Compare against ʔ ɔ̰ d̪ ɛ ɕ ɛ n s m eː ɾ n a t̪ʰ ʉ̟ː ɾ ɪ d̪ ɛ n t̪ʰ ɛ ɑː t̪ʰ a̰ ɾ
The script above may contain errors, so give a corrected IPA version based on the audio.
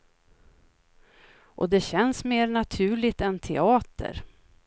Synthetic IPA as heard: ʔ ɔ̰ d̪ ɛ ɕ ɛ n s m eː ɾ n a t̪ʰ ʉ̟ː ɭ ɪ t̪ ɛ n t̪ʰ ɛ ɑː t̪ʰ ə̰ ɾ